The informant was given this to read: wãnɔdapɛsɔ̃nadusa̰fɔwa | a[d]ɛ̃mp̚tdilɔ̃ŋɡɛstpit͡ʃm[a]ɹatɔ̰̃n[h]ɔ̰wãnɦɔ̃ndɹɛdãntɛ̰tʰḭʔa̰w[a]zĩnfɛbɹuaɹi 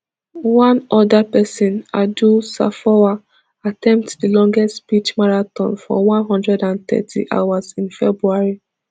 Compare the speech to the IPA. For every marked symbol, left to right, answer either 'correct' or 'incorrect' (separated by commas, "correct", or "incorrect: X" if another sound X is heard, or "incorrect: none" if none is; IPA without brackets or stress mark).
incorrect: t, correct, incorrect: f, correct